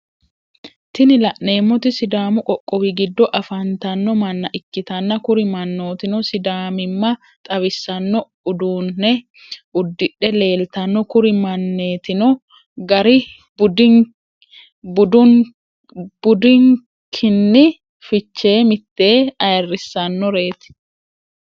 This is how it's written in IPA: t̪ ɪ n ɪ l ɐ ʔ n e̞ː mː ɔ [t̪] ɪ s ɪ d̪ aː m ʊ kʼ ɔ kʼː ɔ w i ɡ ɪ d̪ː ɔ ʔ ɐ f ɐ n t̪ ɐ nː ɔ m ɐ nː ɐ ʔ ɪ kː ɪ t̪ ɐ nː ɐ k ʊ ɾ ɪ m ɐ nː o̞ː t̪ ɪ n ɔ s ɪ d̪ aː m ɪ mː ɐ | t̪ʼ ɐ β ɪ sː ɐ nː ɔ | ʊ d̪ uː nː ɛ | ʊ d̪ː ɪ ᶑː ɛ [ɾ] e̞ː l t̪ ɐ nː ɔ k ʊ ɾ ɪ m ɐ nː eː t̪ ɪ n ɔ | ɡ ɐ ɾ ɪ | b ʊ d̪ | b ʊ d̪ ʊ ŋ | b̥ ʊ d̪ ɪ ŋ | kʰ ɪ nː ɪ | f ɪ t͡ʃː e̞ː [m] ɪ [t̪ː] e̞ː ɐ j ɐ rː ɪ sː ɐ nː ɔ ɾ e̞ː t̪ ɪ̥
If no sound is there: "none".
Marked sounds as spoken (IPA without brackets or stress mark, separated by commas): t̪, l, m, t̪ː